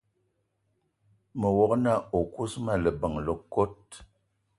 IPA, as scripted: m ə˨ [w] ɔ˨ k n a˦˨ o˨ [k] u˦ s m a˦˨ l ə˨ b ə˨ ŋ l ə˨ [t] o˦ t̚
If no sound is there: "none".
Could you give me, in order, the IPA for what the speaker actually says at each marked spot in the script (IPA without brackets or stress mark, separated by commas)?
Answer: w, k, k